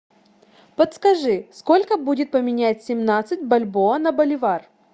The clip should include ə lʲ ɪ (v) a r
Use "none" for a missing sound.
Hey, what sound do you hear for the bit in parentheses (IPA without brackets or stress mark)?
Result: v